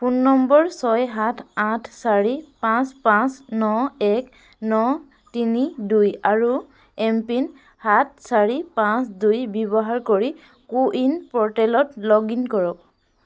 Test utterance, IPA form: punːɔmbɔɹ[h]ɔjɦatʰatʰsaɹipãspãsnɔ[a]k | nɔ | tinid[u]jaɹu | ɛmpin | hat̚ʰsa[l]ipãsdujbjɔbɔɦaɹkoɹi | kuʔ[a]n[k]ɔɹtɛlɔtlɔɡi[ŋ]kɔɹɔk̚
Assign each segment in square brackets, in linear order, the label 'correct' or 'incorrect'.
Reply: incorrect, incorrect, correct, incorrect, incorrect, incorrect, incorrect

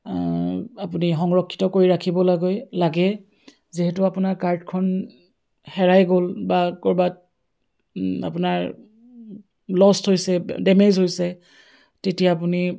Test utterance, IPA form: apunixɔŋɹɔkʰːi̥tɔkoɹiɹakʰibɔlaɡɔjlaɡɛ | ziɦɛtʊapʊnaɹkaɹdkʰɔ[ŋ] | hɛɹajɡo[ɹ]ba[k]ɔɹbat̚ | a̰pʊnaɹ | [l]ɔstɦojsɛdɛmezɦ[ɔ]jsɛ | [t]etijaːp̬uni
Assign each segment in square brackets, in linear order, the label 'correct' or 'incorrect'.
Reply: incorrect, incorrect, correct, correct, incorrect, correct

